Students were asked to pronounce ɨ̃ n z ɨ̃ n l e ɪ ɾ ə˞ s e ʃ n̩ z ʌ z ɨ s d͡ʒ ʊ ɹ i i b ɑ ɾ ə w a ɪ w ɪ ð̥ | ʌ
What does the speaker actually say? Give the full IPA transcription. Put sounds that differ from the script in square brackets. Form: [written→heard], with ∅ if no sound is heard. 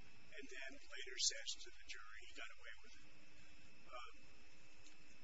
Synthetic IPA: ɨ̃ n [z→ð] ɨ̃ n l e ɪ ɾ ə˞ s [e→ɛ] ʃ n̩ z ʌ [z→ð] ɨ [s→∅] d͡ʒ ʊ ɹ i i [b→ɡ] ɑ ɾ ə w [a→e] ɪ w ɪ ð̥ | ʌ